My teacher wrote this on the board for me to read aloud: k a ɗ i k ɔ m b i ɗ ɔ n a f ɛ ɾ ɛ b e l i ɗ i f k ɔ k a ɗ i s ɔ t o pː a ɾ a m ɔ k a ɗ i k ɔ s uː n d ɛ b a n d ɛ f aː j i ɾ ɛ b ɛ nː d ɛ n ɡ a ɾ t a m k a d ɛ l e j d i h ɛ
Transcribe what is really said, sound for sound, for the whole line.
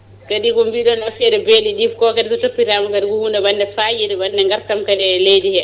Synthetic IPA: k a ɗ i k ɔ m b i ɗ ɔ n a f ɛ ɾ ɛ b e l i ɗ i f k ɔ k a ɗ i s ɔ t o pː i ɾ a m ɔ k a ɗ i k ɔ h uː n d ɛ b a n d ɛ f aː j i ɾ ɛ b a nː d ɛ ŋ ɡ a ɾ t a m k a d ɛ l e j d i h ɛ